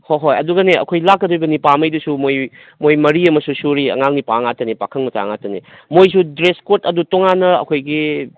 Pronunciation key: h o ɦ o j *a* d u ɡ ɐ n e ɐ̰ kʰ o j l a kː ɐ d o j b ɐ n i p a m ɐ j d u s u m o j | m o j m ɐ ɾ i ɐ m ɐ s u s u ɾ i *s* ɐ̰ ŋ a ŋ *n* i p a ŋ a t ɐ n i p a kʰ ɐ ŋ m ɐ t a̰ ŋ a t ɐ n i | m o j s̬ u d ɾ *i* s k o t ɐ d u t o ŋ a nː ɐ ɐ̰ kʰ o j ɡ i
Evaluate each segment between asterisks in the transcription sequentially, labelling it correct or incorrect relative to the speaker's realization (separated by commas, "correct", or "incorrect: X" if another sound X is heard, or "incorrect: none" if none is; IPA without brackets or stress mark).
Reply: incorrect: ɐ, incorrect: none, correct, incorrect: e